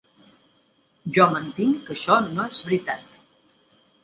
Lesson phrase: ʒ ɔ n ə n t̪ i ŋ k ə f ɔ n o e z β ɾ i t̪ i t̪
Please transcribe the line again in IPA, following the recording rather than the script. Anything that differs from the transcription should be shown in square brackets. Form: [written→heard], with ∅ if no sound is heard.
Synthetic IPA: ʒ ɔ [n→m] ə n t̪ i ŋ k ə [f→ʃ] ɔ n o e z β ɾ i t̪ [i→a] t̪